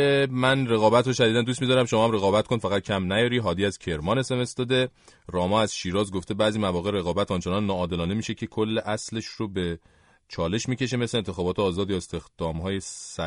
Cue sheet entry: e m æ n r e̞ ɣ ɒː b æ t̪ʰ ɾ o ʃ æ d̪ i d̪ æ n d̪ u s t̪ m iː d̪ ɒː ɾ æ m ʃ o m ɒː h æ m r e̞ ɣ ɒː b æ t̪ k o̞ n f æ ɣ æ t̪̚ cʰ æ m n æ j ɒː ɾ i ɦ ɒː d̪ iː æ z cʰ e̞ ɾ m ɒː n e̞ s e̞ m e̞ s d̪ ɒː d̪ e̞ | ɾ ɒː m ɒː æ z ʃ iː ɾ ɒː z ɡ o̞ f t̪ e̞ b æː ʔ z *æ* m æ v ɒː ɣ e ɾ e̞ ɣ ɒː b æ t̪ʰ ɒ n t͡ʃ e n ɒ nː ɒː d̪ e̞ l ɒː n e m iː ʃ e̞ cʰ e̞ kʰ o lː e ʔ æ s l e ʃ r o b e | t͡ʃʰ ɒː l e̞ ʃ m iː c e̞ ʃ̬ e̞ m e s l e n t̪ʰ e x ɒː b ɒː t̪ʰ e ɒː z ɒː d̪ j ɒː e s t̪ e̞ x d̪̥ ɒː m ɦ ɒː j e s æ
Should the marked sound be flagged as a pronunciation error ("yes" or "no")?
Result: yes